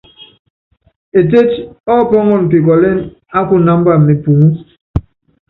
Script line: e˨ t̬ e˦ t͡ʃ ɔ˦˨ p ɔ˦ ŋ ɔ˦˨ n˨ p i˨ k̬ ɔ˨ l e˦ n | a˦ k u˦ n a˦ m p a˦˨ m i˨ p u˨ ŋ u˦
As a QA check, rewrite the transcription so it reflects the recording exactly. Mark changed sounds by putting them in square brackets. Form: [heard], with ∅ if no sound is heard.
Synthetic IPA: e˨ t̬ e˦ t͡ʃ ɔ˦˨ p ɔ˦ ŋ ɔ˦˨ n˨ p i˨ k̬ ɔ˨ l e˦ n | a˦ k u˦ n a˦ m [b] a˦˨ m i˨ p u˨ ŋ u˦